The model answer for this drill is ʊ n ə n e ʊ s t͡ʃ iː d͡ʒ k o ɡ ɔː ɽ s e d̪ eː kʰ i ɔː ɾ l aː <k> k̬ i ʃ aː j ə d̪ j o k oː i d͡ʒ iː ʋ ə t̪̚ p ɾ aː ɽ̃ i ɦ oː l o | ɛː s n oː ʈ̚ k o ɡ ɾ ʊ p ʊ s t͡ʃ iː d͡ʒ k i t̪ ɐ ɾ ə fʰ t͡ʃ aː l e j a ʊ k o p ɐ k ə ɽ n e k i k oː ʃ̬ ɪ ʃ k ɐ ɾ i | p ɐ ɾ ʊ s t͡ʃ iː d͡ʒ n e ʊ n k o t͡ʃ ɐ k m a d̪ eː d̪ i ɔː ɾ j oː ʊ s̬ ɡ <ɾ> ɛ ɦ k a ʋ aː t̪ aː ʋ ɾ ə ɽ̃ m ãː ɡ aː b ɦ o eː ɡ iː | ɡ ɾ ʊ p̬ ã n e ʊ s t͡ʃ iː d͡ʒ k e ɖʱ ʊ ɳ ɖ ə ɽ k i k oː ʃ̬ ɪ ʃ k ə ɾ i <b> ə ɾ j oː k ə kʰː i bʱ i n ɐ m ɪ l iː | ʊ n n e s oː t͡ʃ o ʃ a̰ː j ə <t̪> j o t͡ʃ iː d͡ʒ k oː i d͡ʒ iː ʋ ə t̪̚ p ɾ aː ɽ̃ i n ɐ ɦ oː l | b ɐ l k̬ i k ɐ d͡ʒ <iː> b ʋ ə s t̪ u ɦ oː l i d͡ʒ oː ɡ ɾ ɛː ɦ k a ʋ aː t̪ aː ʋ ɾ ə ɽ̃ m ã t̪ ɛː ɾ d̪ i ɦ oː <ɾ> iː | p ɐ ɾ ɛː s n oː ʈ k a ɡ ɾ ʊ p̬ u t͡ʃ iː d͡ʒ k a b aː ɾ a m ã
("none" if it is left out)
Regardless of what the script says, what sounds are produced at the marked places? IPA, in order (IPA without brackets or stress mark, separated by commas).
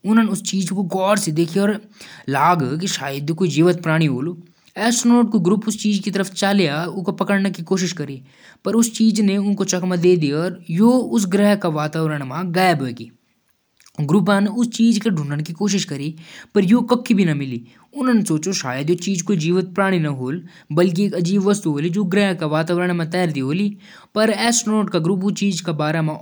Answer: ɡ, ɾ, p, d̪, iː, l